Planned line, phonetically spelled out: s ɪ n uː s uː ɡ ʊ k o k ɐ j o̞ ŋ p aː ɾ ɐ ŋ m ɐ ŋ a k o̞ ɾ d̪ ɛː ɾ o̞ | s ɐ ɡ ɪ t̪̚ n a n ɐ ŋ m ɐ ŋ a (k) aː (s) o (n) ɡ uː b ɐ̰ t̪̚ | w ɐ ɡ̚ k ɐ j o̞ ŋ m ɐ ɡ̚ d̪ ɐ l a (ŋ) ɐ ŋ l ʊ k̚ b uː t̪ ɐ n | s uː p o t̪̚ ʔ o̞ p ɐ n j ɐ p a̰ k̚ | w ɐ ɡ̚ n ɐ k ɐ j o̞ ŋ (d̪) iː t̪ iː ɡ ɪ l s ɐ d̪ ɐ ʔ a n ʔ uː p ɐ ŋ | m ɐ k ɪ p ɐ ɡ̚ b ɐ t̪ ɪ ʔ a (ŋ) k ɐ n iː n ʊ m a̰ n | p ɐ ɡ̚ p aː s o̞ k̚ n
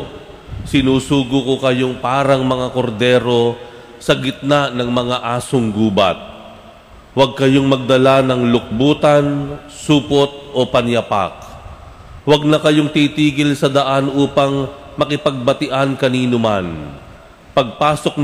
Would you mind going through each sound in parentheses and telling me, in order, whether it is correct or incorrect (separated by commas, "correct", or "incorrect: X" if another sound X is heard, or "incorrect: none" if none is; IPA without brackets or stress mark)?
incorrect: ʔ, correct, incorrect: ŋ, incorrect: n, incorrect: t̪, incorrect: n